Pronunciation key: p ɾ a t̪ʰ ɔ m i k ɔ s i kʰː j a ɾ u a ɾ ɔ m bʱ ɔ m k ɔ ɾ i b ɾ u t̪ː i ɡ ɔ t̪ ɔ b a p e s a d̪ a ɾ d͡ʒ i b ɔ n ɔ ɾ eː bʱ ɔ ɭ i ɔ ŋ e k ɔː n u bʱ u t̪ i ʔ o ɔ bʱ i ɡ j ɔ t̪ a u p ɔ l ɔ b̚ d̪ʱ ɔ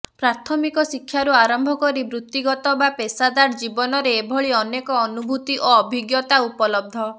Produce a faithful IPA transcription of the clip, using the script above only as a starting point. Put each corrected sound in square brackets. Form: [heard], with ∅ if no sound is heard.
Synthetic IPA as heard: p ɾ a t̪ʰ ɔ m i k ɔ s i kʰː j a ɾ u a ɾ ɔ m bʱ ɔ [∅] k ɔ ɾ i b ɾ u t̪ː i ɡ ɔ t̪ ɔ b a p e s a d̪ a ɾ d͡ʒ i b ɔ n ɔ ɾ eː bʱ ɔ ɭ i ɔ [n] e k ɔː n u bʱ u t̪ i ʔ o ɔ bʱ i ɡ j ɔ t̪ a u p ɔ l ɔ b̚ d̪ʱ ɔ